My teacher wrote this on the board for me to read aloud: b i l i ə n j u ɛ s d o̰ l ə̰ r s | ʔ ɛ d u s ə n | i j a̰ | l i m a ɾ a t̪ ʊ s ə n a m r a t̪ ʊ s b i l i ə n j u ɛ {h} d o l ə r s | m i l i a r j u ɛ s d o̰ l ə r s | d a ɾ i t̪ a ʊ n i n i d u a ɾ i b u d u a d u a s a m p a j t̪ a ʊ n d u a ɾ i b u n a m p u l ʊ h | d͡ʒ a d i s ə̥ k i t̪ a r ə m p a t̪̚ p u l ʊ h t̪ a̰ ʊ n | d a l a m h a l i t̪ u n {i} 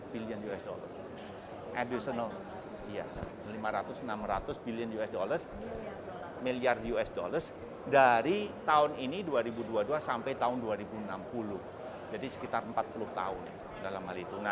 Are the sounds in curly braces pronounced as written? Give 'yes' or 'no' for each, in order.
no, no

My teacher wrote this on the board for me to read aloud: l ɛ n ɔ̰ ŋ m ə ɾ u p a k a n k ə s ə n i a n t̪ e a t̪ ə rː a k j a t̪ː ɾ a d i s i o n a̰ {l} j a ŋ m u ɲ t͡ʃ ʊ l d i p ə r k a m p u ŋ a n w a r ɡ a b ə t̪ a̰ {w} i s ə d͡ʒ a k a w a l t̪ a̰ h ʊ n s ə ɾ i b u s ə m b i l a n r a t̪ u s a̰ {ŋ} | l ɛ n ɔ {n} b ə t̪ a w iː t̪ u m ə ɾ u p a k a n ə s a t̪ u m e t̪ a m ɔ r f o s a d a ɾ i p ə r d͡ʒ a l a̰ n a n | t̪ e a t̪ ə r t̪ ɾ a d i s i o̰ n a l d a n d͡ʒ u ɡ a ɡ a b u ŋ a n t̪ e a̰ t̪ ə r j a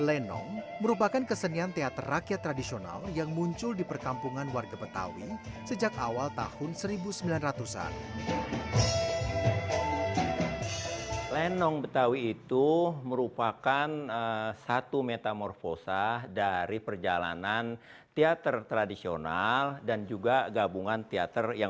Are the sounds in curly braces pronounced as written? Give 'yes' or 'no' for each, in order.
yes, yes, no, no

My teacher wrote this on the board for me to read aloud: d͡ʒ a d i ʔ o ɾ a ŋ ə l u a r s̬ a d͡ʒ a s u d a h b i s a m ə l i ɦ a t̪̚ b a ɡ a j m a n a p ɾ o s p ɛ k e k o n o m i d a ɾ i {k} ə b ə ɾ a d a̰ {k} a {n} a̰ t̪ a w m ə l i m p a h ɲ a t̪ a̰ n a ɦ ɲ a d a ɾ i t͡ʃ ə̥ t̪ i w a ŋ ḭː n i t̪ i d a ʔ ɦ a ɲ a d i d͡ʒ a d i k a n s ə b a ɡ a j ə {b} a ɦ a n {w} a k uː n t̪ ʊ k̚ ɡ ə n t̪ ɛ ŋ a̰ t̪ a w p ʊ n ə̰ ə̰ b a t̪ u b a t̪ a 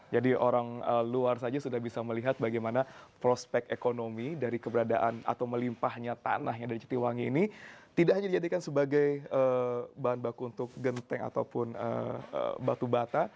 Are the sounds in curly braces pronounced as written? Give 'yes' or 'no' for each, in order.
yes, no, yes, yes, no

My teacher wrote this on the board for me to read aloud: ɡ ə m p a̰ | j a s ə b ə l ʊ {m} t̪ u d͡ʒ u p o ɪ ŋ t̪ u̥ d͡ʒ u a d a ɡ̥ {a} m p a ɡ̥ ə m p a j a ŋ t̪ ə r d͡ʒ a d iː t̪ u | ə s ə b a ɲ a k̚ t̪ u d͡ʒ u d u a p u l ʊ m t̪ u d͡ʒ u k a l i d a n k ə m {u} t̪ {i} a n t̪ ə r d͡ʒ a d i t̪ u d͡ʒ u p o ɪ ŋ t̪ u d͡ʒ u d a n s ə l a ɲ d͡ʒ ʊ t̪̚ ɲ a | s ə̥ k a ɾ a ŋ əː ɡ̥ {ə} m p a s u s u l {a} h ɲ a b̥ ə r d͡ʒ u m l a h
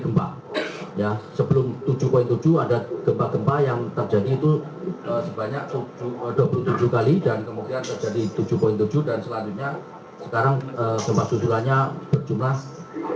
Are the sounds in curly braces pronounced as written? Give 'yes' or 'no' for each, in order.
yes, no, yes, yes, yes, yes

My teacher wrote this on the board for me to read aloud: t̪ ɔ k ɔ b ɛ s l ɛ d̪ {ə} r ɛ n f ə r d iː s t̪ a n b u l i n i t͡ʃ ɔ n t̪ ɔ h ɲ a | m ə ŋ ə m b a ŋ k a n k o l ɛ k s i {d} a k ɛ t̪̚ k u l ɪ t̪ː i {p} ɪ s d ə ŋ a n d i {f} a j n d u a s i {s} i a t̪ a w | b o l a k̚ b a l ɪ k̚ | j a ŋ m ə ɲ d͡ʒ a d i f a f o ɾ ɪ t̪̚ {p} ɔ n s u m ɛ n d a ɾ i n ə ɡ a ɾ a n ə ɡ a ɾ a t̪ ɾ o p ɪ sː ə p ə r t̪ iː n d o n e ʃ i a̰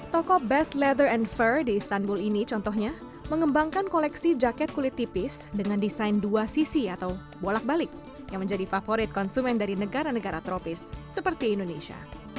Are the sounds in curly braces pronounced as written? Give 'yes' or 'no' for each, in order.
yes, no, yes, no, yes, no

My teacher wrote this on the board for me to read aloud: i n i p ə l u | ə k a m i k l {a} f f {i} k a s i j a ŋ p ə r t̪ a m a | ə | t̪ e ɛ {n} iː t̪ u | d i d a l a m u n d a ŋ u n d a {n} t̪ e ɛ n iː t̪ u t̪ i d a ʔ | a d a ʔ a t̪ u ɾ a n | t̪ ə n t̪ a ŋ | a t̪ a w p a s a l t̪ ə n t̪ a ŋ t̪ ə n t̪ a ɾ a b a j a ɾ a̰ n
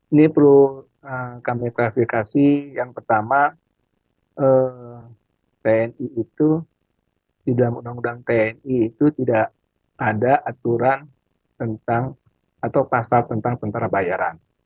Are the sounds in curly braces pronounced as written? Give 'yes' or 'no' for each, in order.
yes, yes, yes, no

